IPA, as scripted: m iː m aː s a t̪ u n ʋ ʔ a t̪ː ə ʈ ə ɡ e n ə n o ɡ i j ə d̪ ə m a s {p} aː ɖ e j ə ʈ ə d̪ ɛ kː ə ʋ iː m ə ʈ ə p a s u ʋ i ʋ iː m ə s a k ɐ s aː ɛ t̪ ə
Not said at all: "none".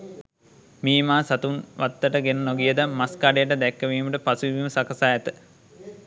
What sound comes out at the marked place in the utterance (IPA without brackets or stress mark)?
k